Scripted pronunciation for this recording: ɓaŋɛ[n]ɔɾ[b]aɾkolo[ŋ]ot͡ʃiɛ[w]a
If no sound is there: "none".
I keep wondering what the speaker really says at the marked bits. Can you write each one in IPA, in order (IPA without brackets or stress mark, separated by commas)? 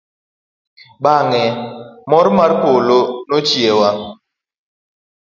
m, m, n, w